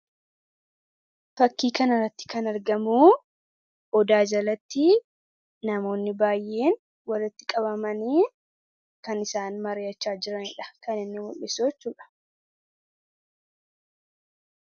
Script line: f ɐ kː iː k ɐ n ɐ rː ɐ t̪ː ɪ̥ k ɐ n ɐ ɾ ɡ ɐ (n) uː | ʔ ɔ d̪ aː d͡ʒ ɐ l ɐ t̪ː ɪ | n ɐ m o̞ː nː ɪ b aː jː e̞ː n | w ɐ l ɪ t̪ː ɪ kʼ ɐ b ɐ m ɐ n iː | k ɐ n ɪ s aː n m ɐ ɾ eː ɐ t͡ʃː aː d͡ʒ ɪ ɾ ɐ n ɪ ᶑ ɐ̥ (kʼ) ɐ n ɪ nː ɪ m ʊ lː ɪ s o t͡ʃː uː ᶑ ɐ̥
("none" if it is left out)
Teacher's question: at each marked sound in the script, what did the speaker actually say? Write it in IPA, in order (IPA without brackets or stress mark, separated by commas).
m, k